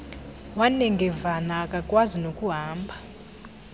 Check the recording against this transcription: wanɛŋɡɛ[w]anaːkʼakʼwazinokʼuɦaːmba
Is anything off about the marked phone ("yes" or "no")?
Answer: yes